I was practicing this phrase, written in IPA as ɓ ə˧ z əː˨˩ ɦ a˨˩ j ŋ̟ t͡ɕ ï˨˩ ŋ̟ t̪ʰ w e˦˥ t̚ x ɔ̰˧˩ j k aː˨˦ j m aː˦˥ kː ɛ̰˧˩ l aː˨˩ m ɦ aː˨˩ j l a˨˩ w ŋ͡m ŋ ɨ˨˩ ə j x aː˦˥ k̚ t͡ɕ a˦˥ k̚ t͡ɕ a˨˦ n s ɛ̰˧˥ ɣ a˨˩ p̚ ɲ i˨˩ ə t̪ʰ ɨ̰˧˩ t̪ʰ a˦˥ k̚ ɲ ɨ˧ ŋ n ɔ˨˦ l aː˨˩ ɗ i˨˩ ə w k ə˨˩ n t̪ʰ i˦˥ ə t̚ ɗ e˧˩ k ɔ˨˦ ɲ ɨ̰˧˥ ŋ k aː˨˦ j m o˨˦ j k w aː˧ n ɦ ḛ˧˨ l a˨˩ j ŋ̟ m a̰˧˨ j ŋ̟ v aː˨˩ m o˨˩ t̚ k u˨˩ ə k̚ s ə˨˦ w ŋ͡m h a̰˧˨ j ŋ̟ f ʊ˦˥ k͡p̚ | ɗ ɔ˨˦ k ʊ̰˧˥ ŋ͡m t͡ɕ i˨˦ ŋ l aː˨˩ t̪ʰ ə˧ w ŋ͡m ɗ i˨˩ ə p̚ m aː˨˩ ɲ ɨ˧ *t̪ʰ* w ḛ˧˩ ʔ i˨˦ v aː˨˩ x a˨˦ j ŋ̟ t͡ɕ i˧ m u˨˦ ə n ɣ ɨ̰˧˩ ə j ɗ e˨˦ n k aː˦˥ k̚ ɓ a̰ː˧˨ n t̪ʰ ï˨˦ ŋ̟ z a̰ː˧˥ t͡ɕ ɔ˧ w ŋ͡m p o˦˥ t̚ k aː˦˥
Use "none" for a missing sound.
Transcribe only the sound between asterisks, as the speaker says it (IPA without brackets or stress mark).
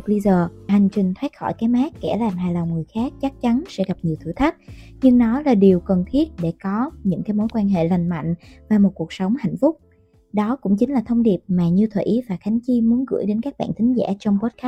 t̪ʰ